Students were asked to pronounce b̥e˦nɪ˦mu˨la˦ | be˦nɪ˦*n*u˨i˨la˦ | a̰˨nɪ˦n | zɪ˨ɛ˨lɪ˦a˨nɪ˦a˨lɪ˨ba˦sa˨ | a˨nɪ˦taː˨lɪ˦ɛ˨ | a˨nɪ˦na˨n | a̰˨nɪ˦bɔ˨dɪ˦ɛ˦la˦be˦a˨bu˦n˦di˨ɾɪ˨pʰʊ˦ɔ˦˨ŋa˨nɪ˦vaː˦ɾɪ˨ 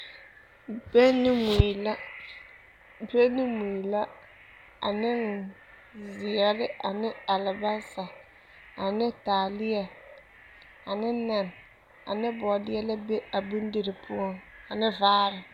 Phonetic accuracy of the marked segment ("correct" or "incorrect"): incorrect